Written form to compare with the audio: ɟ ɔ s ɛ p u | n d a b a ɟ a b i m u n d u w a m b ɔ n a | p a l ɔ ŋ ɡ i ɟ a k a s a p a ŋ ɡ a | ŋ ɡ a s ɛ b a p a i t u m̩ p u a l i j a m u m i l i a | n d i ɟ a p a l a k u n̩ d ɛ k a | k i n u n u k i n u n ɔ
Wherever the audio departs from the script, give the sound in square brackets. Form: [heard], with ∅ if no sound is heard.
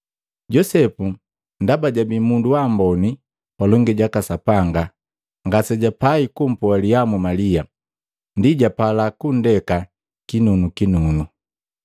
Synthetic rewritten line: ɟ ɔ s ɛ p u | n d a b a ɟ a b i m u n d u w a m b ɔ n [i] | p a l ɔ ŋ ɡ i ɟ a k a s a p a ŋ ɡ a | ŋ ɡ a s ɛ [ɟ] a p a i [k] u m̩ p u a l i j a m u m [a] l i a | n d i ɟ a p a l a k u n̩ d ɛ k a | k i n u n u k i n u n [u]